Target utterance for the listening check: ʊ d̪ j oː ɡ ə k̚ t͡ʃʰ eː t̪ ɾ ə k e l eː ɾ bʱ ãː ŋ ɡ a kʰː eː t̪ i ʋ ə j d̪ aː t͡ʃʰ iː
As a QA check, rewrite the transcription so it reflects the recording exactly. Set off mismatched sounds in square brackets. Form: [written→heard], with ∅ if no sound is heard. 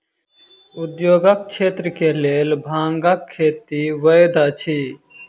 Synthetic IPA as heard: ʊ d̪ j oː ɡ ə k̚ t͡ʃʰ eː t̪ ɾ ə k e l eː [ɾ→l] bʱ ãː ŋ ɡ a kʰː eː t̪ i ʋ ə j d̪ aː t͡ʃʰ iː